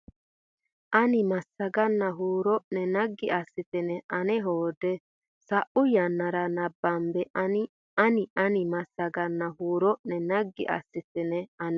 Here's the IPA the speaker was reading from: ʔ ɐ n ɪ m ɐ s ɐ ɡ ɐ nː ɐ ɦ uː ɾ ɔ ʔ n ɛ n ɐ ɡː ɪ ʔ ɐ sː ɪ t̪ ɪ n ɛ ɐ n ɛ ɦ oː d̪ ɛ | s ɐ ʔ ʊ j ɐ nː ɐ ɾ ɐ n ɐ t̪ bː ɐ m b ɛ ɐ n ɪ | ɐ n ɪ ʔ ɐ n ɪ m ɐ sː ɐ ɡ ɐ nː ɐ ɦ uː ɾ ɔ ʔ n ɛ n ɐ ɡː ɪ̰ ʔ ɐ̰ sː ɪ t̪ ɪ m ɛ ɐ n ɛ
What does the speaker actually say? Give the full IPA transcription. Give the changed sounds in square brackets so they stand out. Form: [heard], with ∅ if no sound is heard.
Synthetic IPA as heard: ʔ ɐ n ɪ m ɐ s ɐ ɡ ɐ nː ɐ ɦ uː ɾ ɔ ʔ n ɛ n ɐ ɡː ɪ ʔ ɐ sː ɪ t̪ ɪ n ɛ ɐ n ɛ ɦ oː d̪ ɛ | s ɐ ʔ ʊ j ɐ nː ɐ ɾ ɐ n ɐ [∅] bː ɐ m b ɛ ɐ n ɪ | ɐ n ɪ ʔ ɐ n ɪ m ɐ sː ɐ ɡ ɐ nː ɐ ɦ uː ɾ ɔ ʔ n ɛ n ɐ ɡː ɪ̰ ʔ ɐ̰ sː ɪ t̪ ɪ [n] ɛ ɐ n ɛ

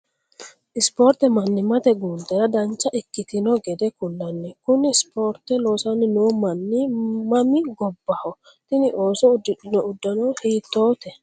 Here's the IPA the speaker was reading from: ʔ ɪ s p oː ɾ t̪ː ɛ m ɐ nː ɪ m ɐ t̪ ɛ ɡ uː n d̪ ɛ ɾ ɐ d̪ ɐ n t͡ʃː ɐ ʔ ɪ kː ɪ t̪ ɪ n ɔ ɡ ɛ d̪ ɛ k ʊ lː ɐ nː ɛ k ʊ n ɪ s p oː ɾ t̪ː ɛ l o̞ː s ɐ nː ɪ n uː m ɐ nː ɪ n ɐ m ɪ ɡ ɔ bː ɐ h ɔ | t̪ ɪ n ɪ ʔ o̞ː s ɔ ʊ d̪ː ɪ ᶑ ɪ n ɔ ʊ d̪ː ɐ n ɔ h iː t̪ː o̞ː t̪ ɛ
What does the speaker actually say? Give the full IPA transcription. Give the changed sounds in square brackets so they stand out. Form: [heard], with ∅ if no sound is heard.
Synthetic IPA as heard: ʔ ɪ s p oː ɾ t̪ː ɛ m ɐ nː ɪ m ɐ t̪ ɛ ɡ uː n d̪ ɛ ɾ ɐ d̪ ɐ n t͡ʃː ɐ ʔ ɪ kː ɪ t̪ ɪ n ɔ ɡ ɛ d̪ ɛ k ʊ lː ɐ nː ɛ k ʊ n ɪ s p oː ɾ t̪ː ɛ l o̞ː s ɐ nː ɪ n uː m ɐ nː ɪ [m] ɐ m ɪ ɡ ɔ bː ɐ h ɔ | t̪ ɪ n ɪ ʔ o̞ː s ɔ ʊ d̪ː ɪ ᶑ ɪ n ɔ ʊ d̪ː ɐ n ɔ h iː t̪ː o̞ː t̪ ɛ

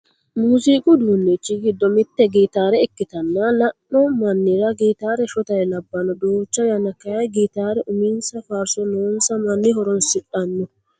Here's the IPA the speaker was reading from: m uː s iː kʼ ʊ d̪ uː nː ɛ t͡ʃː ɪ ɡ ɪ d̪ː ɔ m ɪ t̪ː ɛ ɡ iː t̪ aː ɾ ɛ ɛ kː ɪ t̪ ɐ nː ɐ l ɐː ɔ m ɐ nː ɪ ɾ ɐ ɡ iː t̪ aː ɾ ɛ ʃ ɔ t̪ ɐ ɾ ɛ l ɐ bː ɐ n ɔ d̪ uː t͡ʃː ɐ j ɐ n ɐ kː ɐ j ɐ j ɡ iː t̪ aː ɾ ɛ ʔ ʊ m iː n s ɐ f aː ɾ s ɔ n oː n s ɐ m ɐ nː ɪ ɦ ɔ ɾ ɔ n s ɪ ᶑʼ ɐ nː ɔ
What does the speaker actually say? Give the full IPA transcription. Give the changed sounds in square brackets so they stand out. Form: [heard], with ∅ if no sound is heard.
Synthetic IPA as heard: m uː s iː kʼ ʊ d̪ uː nː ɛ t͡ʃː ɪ ɡ ɪ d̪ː ɔ m ɪ t̪ː ɛ ɡ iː t̪ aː ɾ ɛ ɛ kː ɪ t̪ ɐ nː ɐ l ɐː ɔ m ɐ nː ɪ ɾ ɐ ɡ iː t̪ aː ɾ ɛ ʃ ɔ t̪ ɐ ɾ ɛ l ɐ bː ɐ n ɔ d̪ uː t͡ʃː ɐ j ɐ n ɐ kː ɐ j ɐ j ɡ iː t̪ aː ɾ ɛ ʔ ʊ m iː n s ɐ f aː ɾ s ɔ n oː n s ɐ m ɐ nː ɪ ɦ ɔ ɾ ɔ n s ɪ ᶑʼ ɐ nː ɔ

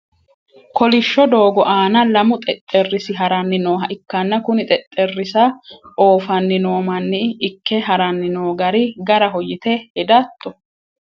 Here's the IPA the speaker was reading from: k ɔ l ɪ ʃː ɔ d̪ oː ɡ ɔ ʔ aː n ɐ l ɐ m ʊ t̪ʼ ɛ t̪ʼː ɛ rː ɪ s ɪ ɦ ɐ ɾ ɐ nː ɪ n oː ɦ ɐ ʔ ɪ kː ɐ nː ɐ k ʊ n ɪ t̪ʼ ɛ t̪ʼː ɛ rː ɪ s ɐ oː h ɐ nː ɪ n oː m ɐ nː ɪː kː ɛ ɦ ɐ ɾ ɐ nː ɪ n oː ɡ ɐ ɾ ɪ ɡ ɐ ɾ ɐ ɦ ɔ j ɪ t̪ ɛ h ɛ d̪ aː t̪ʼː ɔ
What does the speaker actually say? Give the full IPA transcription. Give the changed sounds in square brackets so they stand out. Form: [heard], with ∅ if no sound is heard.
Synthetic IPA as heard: k ɔ l ɪ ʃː ɔ d̪ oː ɡ ɔ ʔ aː n ɐ l ɐ m ʊ t̪ʼ ɛ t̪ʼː ɛ rː ɪ s ɪ ɦ ɐ ɾ ɐ nː ɪ n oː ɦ ɐ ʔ ɪ kː ɐ nː ɐ k ʊ n ɪ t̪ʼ ɛ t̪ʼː ɛ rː ɪ s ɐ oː [f] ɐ nː ɪ n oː m ɐ nː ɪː kː ɛ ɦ ɐ ɾ ɐ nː ɪ n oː ɡ ɐ ɾ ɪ ɡ ɐ ɾ ɐ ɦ ɔ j ɪ t̪ ɛ h ɛ d̪ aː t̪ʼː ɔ

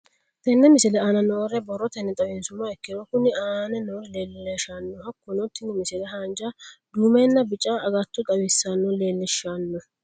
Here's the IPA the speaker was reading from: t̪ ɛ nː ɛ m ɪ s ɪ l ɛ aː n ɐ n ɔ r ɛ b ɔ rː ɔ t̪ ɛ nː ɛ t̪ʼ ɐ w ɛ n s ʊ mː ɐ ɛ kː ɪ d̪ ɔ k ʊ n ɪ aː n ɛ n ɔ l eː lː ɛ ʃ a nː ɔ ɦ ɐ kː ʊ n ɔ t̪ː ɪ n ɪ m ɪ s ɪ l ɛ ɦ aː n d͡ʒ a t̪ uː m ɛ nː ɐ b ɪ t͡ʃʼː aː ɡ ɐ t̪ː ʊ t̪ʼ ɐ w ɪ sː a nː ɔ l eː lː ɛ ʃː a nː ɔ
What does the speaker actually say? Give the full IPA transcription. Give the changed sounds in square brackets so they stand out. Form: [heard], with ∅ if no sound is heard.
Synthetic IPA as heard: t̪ ɛ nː ɛ m ɪ s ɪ l ɛ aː n ɐ n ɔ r ɛ b ɔ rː ɔ t̪ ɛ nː ɛ t̪ʼ ɐ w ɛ n s ʊ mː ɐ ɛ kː ɪ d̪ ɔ k ʊ n ɪ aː n ɛ n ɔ l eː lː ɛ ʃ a nː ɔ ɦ ɐ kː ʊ n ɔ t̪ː ɪ n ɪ m ɪ s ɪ l ɛ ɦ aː n d͡ʒ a [d̪] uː m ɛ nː ɐ b ɪ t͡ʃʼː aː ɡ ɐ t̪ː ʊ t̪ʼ ɐ w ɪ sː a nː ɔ l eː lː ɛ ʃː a nː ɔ

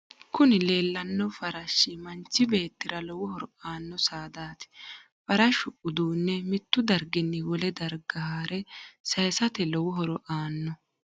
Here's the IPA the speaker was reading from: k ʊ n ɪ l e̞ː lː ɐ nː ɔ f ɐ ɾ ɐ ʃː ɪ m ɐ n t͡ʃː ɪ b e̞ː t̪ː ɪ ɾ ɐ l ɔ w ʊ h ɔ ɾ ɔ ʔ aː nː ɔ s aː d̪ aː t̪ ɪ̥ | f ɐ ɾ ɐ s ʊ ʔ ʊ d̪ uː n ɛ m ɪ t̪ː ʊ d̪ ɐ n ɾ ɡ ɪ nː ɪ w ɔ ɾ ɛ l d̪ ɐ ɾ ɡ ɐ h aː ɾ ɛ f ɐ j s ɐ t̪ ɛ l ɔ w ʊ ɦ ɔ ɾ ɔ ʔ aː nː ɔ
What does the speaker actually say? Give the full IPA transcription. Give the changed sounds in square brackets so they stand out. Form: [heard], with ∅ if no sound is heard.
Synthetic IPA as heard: k ʊ n ɪ l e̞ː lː ɐ nː ɔ f ɐ ɾ ɐ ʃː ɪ m ɐ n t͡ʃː ɪ b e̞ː t̪ː ɪ ɾ ɐ l ɔ w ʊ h ɔ ɾ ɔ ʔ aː nː ɔ s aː d̪ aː t̪ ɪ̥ | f ɐ ɾ ɐ [ʃ] ʊ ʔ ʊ d̪ uː [nː] ɛ m ɪ t̪ː ʊ d̪ ɐ [∅] ɾ ɡ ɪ nː ɪ w ɔ [l] ɛ [∅] d̪ ɐ ɾ ɡ ɐ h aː ɾ ɛ [s] ɐ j s ɐ t̪ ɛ l ɔ w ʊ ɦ ɔ ɾ ɔ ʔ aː nː ɔ

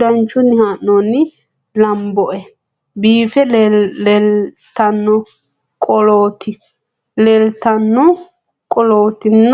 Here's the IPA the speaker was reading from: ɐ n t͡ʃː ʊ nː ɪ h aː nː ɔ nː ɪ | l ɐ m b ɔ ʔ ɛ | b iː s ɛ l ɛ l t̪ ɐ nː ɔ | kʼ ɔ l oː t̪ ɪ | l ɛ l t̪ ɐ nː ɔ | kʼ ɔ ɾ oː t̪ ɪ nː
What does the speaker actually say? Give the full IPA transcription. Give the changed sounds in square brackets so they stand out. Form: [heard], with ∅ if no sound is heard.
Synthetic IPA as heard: ɐ n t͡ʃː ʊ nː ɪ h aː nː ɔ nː ɪ | l ɐ m b ɔ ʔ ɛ | b iː [f] ɛ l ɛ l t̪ ɐ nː ɔ | kʼ ɔ l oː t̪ ɪ | l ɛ l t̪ ɐ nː ɔ | kʼ ɔ [l] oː t̪ ɪ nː

